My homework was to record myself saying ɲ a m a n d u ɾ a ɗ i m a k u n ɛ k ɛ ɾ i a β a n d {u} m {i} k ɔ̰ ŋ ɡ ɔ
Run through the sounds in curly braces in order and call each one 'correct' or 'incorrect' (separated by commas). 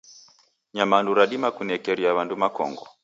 correct, incorrect